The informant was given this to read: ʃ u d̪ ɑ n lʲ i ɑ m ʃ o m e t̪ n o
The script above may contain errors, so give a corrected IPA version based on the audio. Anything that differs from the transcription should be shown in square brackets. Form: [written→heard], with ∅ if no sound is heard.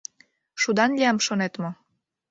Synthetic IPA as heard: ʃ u d̪ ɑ n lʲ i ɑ m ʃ o [m→n] e t̪ [n→m] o